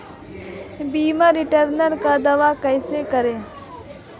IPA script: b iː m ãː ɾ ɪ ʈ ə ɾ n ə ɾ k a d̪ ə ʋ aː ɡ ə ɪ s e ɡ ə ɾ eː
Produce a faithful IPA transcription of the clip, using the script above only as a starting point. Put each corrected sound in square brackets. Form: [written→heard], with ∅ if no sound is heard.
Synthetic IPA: b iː m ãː ɾ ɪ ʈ ə ɾ n ə ɾ k a d̪ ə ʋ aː [ɡ→k] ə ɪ s e [ɡ→k] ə ɾ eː